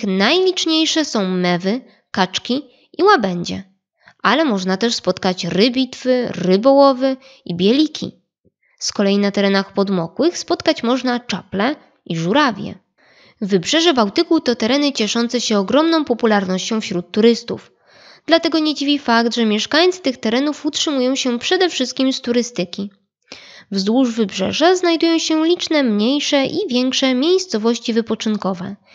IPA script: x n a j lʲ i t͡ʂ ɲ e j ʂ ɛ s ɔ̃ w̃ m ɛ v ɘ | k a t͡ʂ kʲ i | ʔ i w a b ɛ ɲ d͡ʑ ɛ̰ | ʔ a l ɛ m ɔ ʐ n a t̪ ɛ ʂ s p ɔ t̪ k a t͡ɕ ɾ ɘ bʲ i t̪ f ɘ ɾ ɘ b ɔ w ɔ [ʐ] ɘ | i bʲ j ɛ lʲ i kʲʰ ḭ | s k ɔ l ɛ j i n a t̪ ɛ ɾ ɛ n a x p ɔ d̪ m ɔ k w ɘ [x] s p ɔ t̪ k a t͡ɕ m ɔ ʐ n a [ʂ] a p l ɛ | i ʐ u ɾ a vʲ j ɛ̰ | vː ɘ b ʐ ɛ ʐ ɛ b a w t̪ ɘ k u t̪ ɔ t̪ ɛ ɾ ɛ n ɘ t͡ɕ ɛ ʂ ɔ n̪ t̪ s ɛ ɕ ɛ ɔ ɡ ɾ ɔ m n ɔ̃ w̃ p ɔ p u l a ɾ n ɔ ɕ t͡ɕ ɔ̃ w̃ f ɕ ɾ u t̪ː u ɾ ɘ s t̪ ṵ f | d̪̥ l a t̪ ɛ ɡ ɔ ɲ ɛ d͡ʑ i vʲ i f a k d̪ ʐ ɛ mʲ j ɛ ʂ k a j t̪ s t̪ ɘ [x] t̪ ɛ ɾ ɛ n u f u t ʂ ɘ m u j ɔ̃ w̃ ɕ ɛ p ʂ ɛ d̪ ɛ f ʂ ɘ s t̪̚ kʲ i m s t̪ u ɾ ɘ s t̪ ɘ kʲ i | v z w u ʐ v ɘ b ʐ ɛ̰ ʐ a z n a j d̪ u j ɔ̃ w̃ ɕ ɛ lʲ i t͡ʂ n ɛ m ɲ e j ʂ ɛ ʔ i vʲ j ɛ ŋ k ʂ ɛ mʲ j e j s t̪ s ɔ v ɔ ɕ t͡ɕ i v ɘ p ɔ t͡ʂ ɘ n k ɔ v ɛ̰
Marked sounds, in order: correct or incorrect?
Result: incorrect, correct, incorrect, correct

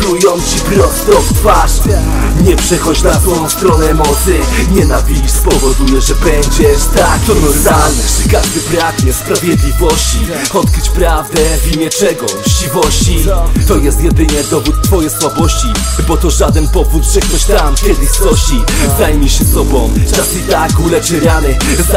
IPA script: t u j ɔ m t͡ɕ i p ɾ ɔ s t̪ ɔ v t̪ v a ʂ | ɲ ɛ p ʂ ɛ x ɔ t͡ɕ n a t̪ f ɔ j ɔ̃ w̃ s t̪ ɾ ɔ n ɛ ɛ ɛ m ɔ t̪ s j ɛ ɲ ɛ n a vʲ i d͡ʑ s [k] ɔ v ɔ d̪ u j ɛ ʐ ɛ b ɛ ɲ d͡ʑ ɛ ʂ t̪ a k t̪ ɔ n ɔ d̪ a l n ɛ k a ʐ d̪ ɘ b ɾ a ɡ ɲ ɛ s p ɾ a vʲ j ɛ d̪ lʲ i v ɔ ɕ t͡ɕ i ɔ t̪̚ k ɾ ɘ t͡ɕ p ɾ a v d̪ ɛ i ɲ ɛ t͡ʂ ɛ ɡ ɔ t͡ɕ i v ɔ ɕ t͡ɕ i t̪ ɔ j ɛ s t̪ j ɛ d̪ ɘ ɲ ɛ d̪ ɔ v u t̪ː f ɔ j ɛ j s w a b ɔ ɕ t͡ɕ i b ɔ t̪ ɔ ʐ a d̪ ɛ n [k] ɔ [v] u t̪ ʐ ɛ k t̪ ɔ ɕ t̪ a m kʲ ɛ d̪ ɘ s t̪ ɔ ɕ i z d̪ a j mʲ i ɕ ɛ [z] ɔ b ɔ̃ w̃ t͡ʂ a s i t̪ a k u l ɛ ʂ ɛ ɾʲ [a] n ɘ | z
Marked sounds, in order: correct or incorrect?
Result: incorrect, incorrect, correct, incorrect, correct

